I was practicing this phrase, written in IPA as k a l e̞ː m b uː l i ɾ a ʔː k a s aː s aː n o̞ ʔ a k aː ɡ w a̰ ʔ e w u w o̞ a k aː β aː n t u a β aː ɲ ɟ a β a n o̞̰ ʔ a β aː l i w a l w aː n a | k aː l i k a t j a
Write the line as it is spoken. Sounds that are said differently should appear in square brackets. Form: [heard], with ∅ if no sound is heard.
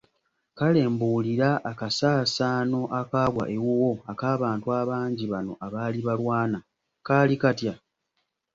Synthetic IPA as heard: k a l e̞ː m b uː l i ɾ a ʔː k a s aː s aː n o̞ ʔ a k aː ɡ w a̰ ʔ e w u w o̞ a k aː β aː n t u a β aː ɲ ɟ [i] β a n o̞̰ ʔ a β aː l i [β] a l w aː n a | k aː l i k a t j a